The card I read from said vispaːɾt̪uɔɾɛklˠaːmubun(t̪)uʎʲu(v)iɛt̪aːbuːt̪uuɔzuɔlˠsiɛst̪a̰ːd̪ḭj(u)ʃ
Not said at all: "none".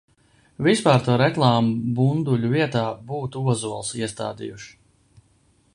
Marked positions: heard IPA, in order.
d̪, v, u

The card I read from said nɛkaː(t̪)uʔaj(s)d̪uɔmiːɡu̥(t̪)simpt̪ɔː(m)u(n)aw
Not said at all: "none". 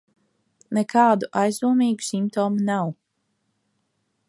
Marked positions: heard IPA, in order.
d̪, z, none, m, n

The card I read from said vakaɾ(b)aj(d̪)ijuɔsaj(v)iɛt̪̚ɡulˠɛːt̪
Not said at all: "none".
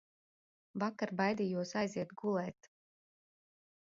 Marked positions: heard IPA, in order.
b, d̪, z

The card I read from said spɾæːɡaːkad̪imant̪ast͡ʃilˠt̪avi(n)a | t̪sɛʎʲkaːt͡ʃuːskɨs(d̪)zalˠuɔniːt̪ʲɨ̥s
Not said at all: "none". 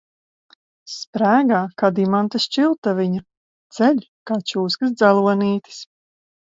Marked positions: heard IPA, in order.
ɲ, d̪

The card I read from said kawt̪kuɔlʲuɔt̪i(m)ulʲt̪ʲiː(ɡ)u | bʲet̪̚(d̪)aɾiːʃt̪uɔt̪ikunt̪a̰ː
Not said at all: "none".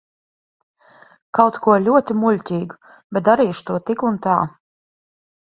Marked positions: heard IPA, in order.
m, ɡ, d̪

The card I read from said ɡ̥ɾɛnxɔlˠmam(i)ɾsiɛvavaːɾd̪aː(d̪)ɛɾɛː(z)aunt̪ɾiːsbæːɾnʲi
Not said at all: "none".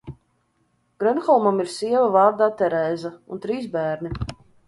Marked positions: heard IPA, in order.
i, t̪, z

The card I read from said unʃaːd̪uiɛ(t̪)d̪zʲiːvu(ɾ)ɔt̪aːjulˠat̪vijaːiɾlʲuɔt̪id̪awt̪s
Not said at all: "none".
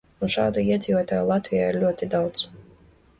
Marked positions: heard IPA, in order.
none, none

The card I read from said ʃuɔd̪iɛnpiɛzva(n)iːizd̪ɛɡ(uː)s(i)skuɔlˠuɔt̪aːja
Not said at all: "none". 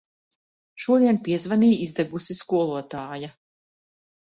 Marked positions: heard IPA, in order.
n, u, i

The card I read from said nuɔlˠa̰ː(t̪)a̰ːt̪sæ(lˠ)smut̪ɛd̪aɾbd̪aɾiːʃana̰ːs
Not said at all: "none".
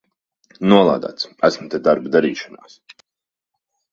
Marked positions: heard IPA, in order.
d̪, none

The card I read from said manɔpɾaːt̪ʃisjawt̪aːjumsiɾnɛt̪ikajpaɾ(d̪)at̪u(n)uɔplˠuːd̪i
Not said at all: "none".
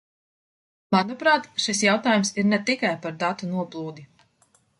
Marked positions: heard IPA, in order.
d̪, n

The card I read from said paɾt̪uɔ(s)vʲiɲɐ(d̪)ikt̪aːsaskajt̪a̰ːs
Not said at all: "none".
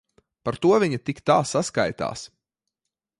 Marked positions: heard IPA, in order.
none, t̪

